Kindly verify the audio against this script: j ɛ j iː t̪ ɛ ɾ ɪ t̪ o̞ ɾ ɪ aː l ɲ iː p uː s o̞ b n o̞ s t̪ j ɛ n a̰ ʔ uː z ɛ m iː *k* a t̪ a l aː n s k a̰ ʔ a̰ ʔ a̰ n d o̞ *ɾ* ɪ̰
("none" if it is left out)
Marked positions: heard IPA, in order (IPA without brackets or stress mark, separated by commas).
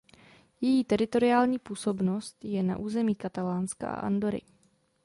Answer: k, ɾ